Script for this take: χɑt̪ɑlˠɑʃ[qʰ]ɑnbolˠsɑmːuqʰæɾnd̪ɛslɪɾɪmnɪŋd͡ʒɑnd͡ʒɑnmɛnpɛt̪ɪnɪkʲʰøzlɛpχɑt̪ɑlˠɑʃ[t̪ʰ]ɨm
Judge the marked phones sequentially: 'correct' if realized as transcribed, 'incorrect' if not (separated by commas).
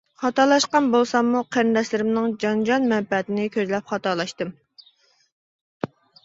incorrect, incorrect